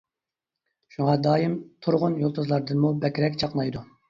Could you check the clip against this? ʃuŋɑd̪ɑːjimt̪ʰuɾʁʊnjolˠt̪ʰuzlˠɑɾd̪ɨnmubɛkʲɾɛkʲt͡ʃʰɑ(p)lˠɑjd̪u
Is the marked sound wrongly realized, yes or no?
yes